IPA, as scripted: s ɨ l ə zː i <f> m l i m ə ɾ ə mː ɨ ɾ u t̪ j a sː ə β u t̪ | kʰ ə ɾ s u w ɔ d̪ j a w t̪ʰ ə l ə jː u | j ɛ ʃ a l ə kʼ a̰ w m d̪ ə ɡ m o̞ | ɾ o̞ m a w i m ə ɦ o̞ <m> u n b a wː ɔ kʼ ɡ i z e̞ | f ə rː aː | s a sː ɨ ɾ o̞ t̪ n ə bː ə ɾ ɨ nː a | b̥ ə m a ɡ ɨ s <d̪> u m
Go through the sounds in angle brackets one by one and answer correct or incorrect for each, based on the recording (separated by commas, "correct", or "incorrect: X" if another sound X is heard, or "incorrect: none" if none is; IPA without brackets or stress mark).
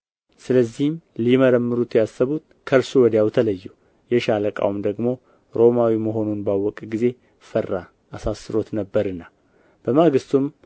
incorrect: h, incorrect: n, incorrect: t̪